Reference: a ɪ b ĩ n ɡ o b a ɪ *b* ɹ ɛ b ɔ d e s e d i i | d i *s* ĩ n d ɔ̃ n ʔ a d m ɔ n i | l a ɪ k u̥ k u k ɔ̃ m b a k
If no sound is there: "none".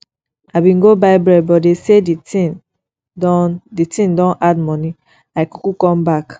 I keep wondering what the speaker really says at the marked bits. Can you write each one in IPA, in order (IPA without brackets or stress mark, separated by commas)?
b, t